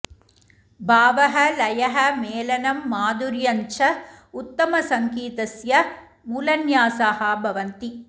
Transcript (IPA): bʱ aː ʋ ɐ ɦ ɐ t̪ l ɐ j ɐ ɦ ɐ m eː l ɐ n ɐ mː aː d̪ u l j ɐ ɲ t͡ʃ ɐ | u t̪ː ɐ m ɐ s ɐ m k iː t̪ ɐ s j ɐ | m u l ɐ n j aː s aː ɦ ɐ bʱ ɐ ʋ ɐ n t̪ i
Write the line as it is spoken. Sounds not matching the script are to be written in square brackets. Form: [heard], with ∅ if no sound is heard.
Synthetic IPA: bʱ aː ʋ ɐ ɦ ɐ [∅] l ɐ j ɐ ɦ ɐ m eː l ɐ n ɐ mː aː d̪ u [ɾ] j ɐ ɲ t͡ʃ ɐ | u t̪ː ɐ m ɐ s ɐ [ŋ] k iː t̪ ɐ s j ɐ | m [uː] l ɐ n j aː s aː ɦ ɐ bʱ ɐ ʋ ɐ n t̪ i